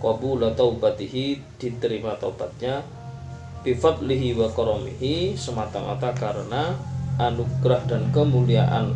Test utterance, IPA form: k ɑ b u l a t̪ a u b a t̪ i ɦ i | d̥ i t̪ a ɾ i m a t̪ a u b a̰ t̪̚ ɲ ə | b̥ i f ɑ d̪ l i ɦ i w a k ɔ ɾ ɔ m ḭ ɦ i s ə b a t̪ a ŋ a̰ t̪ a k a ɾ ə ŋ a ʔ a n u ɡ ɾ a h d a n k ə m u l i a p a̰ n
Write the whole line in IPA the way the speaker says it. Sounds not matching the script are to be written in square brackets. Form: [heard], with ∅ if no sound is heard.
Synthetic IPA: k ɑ b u l a t̪ a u b a t̪ i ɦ i | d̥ i t̪ [ə] ɾ i m a t̪ a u b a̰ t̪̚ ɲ [a] | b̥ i f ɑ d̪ l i ɦ i w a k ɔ ɾ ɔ m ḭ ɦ i s ə [m] a t̪ a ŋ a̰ t̪ a k a ɾ ə [n] a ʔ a n u ɡ ɾ a h d a n k ə m u l i a [ʔ] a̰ n